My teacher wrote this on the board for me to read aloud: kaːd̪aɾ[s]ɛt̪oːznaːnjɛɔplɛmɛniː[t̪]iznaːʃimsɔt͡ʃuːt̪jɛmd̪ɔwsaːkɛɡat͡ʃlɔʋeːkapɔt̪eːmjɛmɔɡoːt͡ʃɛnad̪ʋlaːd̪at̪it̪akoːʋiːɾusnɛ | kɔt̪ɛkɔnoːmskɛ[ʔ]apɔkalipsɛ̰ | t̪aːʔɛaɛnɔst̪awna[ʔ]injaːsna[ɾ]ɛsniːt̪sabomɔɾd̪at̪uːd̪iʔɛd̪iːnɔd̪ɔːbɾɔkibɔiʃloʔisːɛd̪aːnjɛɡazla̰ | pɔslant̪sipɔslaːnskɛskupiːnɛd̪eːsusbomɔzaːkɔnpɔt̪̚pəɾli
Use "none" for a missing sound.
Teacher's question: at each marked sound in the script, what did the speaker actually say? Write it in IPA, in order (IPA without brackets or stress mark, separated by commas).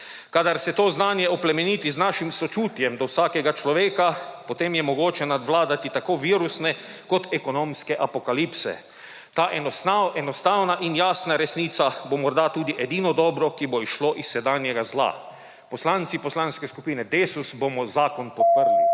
s, t̪, ʔ, ʔ, ɾ